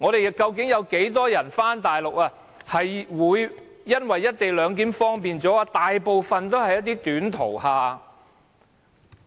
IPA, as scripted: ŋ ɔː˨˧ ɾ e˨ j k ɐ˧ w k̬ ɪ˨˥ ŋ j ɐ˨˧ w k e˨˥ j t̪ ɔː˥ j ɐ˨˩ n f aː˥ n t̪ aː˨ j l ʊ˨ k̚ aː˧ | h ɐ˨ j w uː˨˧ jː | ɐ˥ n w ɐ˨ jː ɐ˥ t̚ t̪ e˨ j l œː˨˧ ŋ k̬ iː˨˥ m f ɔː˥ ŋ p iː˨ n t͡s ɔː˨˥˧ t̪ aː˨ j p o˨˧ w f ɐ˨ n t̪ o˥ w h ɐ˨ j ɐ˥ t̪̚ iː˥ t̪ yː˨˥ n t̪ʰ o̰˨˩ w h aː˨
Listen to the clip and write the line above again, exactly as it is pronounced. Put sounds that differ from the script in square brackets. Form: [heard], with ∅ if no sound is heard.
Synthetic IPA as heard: ŋ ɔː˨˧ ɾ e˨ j k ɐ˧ w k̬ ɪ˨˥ ŋ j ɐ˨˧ w k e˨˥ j t̪ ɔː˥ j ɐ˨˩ n f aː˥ n t̪ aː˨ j l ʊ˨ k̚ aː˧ | h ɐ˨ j w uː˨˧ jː | ɐ˥ n w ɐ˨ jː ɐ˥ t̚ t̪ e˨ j l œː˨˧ ŋ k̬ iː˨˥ m f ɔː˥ ŋ p iː˨ n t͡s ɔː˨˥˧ t̪ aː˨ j p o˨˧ w f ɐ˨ n t̪ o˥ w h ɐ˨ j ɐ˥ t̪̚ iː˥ t̪ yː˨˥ n t̪ʰ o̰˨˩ w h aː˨

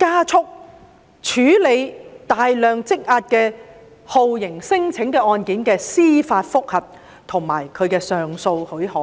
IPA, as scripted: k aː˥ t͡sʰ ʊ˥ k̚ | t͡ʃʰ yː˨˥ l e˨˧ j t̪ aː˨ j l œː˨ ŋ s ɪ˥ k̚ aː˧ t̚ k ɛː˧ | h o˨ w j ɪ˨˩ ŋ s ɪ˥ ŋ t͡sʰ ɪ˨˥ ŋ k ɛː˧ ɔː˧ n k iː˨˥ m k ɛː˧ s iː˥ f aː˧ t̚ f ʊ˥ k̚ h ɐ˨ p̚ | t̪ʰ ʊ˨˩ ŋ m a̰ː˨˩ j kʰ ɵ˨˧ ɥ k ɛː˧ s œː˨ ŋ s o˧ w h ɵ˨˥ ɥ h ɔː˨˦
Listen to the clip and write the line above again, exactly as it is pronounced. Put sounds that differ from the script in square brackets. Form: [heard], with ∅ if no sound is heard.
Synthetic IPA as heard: k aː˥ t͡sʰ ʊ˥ k̚ | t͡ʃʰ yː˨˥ l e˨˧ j t̪ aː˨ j l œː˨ ŋ [t͡s] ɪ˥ k̚ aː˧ t̚ k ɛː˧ | h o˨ w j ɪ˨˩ ŋ s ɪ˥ ŋ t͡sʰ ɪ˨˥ ŋ k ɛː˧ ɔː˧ n k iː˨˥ [n] k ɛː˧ s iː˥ f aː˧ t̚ f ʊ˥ k̚ h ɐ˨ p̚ | t̪ʰ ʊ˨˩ ŋ m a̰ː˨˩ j kʰ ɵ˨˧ ɥ k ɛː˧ s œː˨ ŋ s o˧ w h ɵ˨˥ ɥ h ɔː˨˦

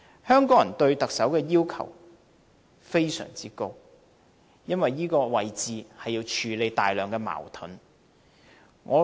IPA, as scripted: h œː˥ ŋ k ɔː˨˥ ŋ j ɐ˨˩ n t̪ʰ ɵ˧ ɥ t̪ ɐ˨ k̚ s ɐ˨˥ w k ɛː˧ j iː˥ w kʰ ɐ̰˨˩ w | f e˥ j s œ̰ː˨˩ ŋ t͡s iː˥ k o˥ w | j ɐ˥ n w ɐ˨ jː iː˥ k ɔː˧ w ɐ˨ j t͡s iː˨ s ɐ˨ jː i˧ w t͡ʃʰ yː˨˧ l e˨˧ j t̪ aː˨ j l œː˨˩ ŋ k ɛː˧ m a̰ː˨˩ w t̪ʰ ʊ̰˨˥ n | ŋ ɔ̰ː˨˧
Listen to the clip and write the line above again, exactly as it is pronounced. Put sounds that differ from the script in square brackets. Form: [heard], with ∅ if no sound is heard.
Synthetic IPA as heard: h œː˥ ŋ k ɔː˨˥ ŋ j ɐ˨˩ n [t̪] ɵ˧ ɥ t̪ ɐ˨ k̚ s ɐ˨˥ w k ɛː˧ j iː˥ w kʰ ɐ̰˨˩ w | f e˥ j s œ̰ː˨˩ ŋ t͡s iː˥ k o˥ w | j ɐ˥ n w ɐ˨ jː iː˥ k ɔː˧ w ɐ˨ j t͡s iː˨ [h] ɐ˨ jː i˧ w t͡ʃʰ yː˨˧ l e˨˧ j t̪ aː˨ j l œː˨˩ ŋ k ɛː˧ m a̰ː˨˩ w t̪ʰ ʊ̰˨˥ n | ŋ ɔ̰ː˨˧

